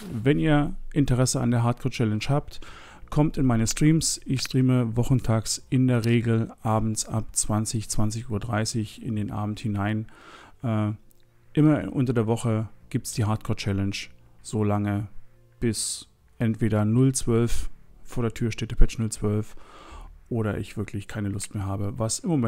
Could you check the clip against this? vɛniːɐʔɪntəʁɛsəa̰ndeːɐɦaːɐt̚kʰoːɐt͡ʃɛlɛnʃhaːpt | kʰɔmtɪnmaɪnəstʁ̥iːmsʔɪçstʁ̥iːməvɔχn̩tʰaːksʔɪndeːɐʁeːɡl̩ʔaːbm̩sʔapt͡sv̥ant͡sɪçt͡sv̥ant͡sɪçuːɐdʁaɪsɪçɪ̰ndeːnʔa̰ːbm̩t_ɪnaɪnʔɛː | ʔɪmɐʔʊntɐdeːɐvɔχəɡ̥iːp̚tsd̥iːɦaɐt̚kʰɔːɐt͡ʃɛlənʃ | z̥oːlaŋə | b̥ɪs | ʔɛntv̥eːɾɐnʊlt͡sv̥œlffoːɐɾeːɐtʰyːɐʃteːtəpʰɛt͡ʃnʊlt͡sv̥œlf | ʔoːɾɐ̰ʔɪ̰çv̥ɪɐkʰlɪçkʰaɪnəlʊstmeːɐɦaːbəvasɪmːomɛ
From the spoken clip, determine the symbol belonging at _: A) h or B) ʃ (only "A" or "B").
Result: A